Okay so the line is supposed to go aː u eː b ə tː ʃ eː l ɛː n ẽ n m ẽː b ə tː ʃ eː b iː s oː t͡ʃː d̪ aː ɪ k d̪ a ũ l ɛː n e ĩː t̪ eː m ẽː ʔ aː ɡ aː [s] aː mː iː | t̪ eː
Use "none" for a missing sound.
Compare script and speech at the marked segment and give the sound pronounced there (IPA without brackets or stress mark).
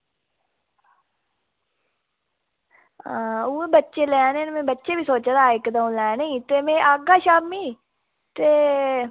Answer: ʃ